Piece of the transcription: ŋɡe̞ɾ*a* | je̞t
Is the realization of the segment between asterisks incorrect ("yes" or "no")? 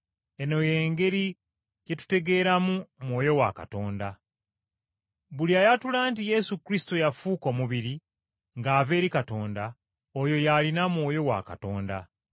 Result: yes